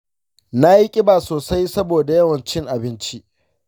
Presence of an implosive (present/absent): absent